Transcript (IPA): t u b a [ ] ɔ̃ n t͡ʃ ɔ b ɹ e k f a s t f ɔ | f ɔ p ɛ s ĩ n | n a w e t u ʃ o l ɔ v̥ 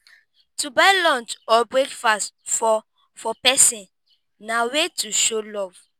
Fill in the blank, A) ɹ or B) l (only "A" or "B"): B